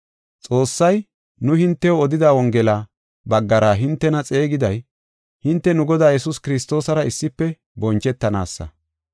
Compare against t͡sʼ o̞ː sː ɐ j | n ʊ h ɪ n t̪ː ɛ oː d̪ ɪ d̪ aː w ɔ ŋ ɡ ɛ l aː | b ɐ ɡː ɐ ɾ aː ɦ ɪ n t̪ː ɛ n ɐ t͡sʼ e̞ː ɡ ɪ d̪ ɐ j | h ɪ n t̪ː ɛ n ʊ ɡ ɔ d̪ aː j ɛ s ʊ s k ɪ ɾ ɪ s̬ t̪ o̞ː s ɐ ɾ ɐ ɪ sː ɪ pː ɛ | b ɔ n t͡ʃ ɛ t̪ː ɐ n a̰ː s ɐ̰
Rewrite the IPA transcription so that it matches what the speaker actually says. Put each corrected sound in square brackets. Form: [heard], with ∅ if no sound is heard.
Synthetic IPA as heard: t͡sʼ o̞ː sː ɐ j | n ʊ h ɪ n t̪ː ɛ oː d̪ ɪ d̪ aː w ɔ ŋ ɡ ɛ l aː | b ɐ ɡː ɐ ɾ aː ɦ ɪ n t̪ː ɛ n ɐ t͡sʼ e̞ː ɡ ɪ d̪ ɐ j | h ɪ n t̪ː ɛ n ʊ ɡ ɔ d̪ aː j ɛ s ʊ s k ɪ ɾ ɪ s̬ t̪ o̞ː s ɐ ɾ ɐ ɪ sː ɪ pː ɛ | b ɔ n t͡ʃ ɛ t̪ː ɐ n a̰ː [sː] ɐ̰